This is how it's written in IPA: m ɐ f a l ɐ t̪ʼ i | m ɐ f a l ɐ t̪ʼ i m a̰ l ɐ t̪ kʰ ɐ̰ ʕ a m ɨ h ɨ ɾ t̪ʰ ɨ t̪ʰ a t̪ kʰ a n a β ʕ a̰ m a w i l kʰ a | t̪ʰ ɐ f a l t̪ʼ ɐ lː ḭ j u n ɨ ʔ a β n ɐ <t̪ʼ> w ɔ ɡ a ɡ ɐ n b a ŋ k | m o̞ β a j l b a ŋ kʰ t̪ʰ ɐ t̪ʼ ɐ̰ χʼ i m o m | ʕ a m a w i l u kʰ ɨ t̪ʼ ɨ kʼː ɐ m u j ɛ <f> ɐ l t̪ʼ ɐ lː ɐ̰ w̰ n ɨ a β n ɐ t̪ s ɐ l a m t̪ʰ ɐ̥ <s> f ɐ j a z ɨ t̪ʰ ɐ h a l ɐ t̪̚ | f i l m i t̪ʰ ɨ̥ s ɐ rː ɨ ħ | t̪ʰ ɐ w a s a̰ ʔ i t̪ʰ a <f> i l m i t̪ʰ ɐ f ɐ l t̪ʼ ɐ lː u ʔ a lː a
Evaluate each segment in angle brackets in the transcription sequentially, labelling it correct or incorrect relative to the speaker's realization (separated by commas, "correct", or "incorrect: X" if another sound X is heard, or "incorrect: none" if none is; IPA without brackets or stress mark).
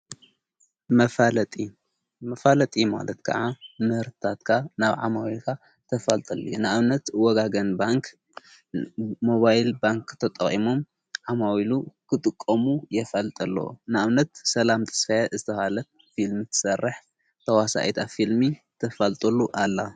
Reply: incorrect: t̪, correct, correct, correct